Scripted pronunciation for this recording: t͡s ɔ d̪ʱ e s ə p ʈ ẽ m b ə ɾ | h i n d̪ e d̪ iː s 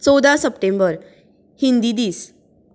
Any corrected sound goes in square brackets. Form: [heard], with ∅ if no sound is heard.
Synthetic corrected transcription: t͡s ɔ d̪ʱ [a] s ə p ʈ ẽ m b ə ɾ | h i n d̪ [i] d̪ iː s